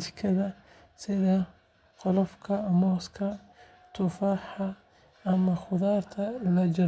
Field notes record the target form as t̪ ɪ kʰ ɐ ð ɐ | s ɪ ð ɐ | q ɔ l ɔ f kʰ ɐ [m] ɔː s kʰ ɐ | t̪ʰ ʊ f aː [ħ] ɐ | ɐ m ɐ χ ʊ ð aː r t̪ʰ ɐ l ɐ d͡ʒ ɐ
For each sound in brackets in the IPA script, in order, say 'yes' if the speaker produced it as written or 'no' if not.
yes, yes

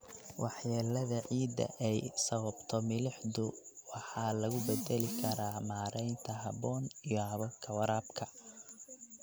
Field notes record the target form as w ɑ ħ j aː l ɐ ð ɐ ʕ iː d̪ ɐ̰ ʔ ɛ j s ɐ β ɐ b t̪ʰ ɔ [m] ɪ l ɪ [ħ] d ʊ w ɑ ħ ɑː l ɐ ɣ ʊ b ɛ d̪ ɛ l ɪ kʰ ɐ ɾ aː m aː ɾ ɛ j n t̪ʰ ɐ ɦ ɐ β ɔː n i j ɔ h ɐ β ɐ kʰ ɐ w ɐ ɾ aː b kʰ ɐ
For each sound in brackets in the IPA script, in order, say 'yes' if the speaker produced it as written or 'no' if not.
yes, yes

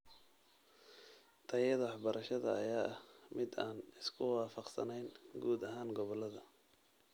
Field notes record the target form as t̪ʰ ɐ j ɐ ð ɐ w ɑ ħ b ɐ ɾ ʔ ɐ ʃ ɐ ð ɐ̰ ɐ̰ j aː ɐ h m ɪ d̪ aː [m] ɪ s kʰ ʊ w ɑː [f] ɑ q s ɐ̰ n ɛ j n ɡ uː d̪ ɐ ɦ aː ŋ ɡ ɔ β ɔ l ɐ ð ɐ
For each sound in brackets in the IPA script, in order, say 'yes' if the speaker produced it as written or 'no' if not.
no, yes

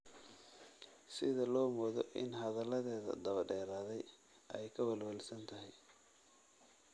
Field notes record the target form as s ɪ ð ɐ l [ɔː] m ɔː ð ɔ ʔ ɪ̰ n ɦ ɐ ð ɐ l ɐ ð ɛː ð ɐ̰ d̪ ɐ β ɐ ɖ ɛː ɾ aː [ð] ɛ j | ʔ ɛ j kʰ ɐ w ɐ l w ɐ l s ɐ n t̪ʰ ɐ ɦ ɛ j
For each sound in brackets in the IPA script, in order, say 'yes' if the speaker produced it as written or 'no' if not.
yes, yes

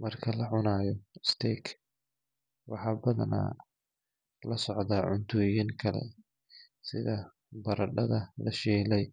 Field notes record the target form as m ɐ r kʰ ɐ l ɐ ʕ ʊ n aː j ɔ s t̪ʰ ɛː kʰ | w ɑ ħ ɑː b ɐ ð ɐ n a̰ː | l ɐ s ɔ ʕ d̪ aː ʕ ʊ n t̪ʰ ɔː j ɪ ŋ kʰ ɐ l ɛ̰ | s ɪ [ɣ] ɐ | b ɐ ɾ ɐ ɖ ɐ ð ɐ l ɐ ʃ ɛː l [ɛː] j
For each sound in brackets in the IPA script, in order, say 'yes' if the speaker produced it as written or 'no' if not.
no, no

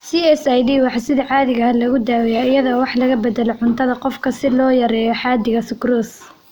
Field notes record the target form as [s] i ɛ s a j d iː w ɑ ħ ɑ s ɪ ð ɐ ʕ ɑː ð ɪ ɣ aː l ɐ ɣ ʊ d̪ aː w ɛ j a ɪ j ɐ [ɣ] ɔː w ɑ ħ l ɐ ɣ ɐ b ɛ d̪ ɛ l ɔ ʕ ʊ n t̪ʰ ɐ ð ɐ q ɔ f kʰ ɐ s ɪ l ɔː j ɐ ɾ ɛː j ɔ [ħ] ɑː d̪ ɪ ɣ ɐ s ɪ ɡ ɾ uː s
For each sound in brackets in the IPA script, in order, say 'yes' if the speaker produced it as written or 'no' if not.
yes, no, yes

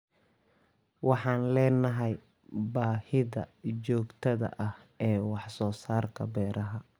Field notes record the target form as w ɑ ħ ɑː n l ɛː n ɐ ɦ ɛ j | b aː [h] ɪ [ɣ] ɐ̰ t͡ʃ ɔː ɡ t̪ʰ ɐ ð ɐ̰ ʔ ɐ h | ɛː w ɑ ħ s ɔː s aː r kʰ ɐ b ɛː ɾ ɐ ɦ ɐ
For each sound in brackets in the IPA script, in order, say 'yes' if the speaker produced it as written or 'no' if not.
yes, no

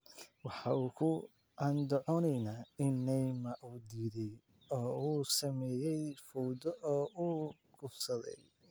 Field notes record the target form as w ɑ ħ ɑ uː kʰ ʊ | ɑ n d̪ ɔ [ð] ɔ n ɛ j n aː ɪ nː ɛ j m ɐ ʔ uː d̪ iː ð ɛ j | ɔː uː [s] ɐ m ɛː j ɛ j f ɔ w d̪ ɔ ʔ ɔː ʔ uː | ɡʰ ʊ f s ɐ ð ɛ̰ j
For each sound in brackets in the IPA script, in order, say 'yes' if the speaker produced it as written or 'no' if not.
no, yes

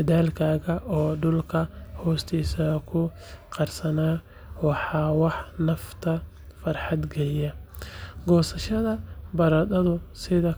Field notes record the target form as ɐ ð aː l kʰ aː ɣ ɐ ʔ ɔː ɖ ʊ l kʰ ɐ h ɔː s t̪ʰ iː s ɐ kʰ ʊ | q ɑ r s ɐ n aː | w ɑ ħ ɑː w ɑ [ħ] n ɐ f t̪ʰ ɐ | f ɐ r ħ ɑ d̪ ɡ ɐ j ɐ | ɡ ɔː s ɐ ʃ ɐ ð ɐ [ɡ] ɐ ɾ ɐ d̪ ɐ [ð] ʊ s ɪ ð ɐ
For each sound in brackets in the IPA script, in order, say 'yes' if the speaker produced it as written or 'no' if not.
yes, no, yes

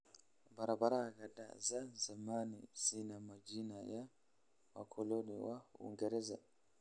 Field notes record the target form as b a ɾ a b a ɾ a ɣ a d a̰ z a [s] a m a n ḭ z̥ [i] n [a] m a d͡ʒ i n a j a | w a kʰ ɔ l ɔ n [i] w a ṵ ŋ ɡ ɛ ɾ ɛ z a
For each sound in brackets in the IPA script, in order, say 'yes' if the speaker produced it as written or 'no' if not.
no, yes, yes, yes

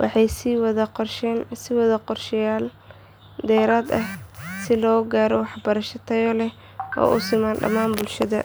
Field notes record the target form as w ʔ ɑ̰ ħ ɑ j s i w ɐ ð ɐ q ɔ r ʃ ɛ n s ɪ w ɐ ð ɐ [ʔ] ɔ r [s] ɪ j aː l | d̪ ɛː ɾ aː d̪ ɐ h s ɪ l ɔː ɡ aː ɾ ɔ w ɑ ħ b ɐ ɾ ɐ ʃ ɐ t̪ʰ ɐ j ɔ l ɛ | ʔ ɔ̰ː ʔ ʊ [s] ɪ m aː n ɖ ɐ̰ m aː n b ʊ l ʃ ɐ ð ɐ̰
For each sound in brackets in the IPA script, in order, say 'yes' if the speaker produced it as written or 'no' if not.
no, no, yes

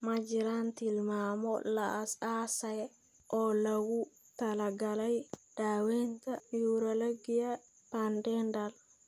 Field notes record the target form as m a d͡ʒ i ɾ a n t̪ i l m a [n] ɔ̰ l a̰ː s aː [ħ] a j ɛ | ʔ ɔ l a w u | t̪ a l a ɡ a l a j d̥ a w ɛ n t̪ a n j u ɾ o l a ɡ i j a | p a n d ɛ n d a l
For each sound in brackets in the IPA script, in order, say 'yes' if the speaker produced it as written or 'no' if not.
no, no

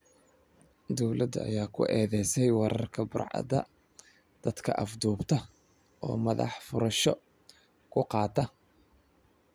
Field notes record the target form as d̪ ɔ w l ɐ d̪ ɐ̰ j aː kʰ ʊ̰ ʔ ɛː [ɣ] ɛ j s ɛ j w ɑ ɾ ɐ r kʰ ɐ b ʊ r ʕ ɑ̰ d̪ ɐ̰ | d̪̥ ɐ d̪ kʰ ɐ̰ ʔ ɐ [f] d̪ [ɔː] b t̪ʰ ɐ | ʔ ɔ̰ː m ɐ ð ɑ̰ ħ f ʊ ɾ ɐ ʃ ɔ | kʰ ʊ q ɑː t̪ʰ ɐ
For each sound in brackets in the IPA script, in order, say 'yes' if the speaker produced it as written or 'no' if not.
no, yes, no

